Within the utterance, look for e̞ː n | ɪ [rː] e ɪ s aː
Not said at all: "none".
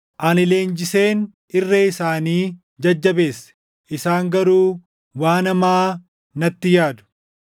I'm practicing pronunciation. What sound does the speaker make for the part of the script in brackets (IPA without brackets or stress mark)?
rː